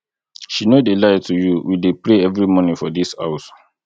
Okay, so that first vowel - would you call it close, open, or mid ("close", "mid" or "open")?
close